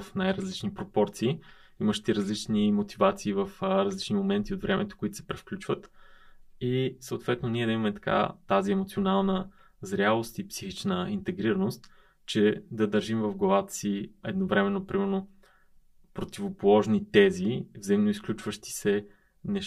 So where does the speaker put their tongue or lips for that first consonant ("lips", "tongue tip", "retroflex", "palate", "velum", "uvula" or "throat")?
lips